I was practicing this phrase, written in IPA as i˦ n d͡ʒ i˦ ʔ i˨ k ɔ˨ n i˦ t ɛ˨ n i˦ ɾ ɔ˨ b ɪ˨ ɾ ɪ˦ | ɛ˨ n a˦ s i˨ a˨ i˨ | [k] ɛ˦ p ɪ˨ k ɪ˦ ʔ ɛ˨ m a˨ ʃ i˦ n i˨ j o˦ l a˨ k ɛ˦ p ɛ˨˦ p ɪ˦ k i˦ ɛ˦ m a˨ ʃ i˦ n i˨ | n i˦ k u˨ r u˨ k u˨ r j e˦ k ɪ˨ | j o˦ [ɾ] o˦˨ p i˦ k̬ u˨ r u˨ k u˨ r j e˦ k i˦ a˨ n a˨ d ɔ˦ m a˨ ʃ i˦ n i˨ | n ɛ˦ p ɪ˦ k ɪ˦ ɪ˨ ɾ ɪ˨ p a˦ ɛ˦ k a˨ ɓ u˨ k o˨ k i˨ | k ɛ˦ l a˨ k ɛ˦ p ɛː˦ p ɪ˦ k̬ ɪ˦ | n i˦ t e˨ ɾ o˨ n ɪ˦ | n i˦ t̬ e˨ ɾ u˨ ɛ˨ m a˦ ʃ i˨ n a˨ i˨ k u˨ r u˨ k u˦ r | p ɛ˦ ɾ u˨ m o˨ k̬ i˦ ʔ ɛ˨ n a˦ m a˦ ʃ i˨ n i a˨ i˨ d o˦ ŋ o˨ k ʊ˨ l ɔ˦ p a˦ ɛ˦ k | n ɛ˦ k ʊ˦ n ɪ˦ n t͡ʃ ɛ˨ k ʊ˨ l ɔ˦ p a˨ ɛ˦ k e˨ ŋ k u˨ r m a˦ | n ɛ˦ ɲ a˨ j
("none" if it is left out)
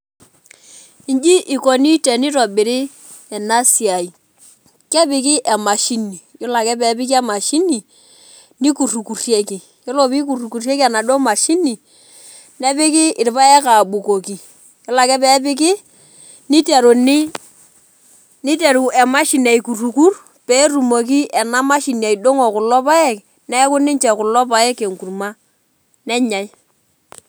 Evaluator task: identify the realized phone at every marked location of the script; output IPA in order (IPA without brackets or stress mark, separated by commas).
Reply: k, l